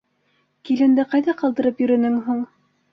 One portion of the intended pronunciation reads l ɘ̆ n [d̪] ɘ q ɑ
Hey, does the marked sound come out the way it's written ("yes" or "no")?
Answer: yes